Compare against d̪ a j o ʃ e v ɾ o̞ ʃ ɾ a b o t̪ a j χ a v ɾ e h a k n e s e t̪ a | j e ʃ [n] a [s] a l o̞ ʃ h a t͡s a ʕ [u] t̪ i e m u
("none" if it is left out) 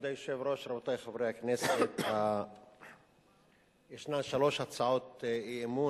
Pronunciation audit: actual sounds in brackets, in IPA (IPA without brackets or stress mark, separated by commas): n, ʃ, o